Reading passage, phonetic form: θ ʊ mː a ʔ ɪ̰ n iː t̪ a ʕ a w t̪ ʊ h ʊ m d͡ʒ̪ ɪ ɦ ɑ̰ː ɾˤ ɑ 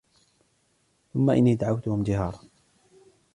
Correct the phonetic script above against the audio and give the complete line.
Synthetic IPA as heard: θ ʊ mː a ʔ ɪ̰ nː iː d̪ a ʕ a w t̪ ʊ h ʊ m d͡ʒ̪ ɪ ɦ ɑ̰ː ɾˤ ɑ